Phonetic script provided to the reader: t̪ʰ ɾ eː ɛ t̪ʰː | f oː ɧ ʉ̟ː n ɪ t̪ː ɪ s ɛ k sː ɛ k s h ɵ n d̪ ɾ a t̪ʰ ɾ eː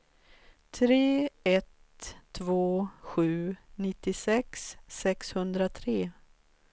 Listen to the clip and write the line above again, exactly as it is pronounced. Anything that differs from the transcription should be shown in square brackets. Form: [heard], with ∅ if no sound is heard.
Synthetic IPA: t̪ʰ ɾ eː ɛ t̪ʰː | [v] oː ɧ ʉ̟ː n ɪ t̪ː ɪ s ɛ k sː ɛ k s h ɵ n d̪ ɾ a t̪ʰ ɾ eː